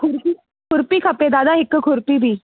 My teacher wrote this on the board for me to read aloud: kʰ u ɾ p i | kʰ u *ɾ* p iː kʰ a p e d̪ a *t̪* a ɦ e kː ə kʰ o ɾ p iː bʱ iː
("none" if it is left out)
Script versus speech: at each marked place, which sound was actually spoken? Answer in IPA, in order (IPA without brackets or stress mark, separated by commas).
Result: ɾ, d̪